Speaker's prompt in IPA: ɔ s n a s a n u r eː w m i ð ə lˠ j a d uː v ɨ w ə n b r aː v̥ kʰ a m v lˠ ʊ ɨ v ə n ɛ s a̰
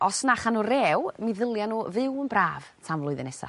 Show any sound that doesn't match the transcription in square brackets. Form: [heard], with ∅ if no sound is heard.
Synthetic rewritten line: ɔ s n a [χ] a n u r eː w m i ð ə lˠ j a [n] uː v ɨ w ə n b r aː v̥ [tʰ] a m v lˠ ʊ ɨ [ð] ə n ɛ s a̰